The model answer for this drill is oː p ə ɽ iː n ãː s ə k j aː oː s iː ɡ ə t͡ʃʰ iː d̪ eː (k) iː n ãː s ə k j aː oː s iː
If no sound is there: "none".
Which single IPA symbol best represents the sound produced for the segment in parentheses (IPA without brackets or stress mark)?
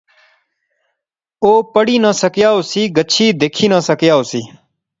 kʰ